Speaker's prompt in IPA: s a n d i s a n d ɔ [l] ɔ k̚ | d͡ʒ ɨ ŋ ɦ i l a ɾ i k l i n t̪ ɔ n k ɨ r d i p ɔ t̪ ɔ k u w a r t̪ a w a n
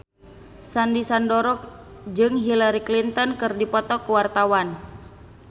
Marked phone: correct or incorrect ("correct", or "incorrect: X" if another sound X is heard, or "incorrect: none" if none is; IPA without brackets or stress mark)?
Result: incorrect: ɾ